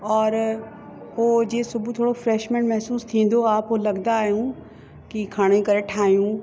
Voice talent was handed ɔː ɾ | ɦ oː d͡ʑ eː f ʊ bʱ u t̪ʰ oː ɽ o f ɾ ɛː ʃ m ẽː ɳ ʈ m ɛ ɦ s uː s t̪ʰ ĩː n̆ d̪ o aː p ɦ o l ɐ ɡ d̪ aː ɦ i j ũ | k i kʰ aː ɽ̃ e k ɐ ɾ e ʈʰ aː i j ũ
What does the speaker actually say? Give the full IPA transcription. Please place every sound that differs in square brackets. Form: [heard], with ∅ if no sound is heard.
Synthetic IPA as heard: ɔː ɾ | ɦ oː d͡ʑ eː [s] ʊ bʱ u t̪ʰ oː ɽ o f ɾ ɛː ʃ m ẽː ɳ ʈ m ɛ ɦ s uː s t̪ʰ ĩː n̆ d̪ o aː p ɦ o l ɐ ɡ d̪ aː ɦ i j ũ | k i kʰ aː ɽ̃ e k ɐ ɾ e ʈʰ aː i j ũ